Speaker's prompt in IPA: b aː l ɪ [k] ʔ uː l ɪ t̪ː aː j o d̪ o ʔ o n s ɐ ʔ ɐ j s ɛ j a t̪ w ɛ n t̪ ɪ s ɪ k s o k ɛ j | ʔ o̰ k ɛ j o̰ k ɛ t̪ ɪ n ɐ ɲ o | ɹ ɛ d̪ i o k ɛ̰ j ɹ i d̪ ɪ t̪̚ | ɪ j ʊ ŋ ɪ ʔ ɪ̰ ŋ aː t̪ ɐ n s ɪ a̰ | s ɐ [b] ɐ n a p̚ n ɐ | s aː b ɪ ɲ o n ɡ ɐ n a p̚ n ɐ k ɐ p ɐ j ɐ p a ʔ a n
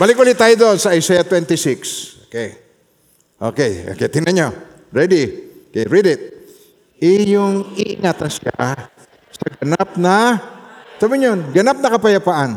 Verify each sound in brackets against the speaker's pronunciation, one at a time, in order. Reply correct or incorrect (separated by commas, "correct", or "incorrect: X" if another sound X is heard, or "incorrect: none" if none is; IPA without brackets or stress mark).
correct, incorrect: ɡ